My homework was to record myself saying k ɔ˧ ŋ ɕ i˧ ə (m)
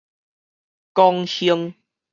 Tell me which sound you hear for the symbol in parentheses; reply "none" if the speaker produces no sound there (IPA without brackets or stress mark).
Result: ŋ